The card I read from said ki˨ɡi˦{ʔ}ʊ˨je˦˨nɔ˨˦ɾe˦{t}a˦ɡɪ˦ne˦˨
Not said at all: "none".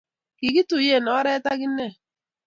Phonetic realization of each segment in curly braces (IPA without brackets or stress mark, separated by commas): t, t